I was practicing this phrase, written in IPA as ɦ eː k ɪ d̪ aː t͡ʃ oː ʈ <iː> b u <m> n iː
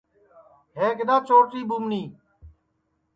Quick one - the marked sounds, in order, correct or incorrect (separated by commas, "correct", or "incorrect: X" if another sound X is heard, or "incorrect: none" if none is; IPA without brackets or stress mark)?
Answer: correct, correct